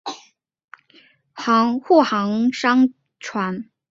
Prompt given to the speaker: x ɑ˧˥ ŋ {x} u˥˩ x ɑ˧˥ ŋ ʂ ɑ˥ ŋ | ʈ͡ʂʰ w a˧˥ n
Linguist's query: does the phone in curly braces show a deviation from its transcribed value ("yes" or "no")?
no